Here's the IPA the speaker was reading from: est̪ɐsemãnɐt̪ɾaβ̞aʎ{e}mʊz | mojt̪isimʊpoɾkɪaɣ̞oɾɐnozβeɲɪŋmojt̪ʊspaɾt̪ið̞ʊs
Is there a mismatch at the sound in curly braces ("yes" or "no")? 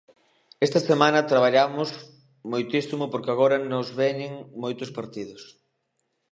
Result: yes